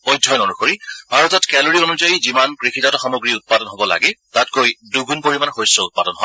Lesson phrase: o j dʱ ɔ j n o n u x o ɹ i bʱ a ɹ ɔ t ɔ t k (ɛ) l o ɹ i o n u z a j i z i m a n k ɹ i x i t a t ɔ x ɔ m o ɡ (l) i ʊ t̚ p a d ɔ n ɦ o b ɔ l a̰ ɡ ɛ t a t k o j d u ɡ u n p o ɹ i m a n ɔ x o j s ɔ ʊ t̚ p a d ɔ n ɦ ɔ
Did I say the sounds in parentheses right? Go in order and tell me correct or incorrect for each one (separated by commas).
correct, incorrect